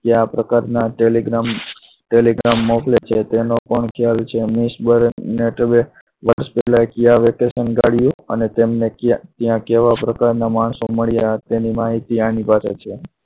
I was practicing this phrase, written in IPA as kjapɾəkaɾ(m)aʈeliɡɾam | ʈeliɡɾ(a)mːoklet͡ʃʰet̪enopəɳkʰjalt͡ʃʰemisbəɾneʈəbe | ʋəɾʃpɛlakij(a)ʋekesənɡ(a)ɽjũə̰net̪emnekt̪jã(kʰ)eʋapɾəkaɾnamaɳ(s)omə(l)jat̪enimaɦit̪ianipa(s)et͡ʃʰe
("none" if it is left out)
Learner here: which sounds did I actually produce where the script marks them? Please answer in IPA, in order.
n, a, a, a, k, s, ɭ, s

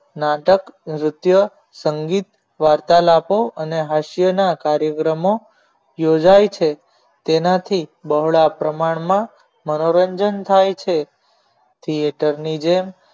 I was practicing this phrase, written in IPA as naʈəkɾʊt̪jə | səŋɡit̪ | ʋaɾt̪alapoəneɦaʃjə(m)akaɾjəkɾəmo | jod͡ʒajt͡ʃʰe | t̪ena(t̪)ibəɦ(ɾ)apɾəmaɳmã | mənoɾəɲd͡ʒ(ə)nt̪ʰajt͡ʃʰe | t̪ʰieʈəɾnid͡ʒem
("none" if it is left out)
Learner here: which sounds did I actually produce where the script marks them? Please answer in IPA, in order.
n, t̪ʰ, ɭ, ə

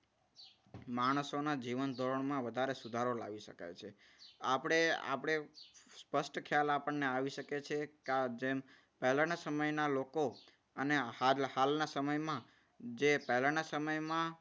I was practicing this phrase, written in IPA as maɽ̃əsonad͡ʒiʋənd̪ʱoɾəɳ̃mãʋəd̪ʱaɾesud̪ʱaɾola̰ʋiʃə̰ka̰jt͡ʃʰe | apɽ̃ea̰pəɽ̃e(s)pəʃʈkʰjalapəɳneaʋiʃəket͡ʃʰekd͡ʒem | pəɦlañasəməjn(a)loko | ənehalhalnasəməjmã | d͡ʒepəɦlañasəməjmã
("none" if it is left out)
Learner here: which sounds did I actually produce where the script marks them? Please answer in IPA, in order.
s, a

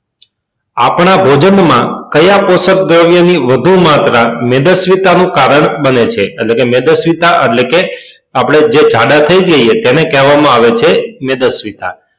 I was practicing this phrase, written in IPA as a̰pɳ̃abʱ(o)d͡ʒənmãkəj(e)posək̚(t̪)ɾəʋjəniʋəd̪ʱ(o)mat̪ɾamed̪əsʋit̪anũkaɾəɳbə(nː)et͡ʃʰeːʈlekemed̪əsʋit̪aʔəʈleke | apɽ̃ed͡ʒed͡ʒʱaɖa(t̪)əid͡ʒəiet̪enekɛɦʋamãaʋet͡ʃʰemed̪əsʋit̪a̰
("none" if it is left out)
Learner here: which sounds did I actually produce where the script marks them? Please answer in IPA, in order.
o, a, d̪, u, n, t̪ʰ

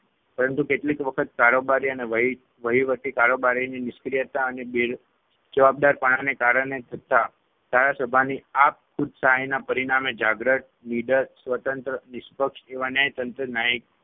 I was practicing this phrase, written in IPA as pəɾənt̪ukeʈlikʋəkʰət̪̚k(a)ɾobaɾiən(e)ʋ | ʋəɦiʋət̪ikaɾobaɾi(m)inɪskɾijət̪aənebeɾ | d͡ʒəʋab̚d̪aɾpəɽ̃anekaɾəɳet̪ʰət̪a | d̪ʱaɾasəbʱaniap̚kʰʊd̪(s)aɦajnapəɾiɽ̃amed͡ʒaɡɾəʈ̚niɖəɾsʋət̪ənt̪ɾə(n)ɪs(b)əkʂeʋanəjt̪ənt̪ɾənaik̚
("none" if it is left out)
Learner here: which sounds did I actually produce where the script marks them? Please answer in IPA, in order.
a, e, n, s, n, p

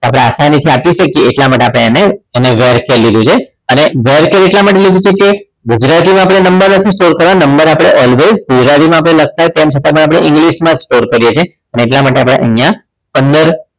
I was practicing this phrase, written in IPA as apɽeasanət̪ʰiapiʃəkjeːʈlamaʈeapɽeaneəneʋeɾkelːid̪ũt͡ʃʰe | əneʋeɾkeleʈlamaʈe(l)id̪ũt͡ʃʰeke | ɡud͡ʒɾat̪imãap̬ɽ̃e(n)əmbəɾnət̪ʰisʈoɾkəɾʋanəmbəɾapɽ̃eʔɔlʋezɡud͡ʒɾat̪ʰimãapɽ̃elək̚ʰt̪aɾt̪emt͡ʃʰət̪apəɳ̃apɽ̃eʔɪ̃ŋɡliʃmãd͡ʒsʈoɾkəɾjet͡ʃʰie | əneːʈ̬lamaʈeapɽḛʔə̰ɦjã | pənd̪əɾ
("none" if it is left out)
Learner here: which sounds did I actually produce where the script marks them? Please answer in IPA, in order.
l, n

